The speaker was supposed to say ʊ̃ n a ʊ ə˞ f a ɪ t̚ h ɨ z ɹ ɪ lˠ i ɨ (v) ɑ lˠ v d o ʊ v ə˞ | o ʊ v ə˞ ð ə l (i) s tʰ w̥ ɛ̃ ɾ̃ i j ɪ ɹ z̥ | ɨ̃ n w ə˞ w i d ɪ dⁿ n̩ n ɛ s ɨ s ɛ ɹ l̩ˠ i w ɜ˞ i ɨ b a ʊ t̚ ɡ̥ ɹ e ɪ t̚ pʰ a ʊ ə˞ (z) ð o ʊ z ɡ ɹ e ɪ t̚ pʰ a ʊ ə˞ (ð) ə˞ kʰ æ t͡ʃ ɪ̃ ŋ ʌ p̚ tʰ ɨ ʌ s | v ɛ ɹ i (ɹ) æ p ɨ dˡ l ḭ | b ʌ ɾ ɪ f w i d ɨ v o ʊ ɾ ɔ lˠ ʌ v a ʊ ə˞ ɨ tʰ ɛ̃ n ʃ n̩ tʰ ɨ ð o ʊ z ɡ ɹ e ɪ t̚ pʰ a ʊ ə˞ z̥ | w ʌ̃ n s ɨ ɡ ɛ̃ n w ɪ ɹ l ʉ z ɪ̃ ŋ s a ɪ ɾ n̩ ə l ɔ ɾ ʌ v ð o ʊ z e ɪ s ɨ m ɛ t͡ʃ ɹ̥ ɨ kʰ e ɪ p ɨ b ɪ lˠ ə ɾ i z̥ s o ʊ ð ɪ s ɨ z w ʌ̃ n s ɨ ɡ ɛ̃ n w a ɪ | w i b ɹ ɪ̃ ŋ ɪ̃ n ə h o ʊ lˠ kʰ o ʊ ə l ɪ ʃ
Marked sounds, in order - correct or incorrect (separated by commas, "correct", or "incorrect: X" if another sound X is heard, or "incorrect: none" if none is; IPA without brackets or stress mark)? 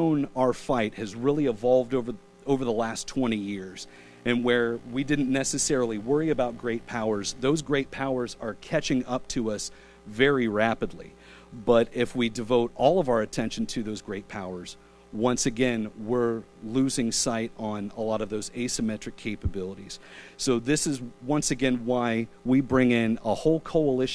correct, incorrect: æ, correct, incorrect: z, correct